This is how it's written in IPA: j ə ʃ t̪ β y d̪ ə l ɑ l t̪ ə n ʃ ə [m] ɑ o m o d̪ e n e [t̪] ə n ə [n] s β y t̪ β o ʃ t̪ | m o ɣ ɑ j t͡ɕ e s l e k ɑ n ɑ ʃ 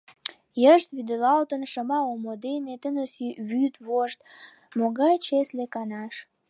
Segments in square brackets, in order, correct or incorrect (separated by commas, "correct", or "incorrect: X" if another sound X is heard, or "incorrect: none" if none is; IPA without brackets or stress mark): correct, correct, incorrect: none